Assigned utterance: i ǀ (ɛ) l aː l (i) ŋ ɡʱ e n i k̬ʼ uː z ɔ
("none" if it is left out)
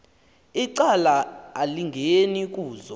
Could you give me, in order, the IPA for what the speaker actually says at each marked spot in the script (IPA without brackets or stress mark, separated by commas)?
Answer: a, i